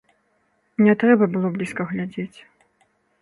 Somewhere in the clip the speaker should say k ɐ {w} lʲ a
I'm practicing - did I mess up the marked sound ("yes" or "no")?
yes